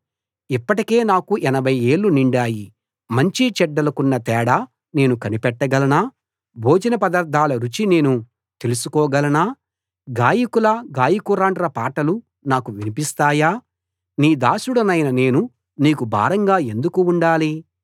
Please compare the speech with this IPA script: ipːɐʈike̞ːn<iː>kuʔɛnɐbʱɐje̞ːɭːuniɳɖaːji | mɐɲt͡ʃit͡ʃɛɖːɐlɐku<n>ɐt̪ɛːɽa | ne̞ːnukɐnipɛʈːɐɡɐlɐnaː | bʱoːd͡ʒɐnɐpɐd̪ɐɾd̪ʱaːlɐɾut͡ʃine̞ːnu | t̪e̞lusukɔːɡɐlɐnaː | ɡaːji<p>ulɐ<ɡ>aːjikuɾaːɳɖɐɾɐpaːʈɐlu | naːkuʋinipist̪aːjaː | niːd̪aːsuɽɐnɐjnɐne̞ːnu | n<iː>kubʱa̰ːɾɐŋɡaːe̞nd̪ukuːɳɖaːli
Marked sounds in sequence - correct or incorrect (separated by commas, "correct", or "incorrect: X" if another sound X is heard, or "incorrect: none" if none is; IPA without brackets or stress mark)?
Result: incorrect: aː, incorrect: nː, incorrect: k, correct, correct